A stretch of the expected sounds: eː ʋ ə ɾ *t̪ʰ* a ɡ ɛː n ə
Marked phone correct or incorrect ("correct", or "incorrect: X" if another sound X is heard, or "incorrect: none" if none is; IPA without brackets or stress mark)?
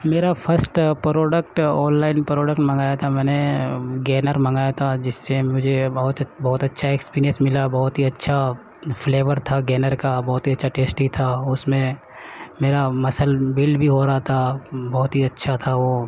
correct